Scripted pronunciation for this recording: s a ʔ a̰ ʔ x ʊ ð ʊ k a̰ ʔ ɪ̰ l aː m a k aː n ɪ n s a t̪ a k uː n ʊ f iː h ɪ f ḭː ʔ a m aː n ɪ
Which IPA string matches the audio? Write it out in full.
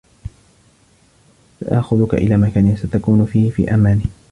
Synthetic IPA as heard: s a ʔ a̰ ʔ x ʊ ð ʊ k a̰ ʔ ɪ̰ l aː m a k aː n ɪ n s a t̪ a k uː n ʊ f iː h ɪ f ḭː ʔ a m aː n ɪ